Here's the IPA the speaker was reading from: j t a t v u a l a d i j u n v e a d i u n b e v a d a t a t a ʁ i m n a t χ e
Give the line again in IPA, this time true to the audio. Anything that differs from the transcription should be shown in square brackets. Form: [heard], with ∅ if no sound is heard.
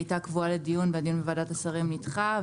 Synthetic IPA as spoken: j t a [k] v u a l [e] d i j u n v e a d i u n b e v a d a t a [s] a ʁ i m n [i] t χ [a]